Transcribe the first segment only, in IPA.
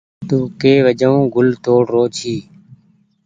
t̪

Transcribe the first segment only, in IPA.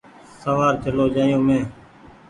s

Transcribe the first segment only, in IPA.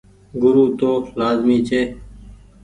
ɡ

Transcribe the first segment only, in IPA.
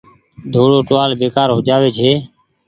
d̪ʱ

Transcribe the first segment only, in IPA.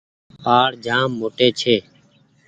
p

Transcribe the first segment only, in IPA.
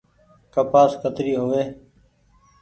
k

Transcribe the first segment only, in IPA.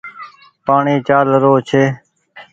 p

